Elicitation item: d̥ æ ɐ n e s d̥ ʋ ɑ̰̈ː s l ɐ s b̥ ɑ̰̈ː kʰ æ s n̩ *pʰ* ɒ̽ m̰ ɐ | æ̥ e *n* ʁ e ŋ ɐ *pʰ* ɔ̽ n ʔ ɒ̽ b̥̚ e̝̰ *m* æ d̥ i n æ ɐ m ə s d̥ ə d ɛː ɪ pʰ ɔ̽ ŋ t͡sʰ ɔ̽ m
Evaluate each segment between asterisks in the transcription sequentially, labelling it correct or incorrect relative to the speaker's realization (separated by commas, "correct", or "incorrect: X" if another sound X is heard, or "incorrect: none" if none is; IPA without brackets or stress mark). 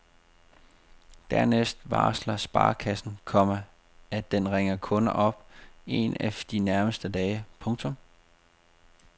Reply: incorrect: kʰ, correct, incorrect: kʰ, incorrect: n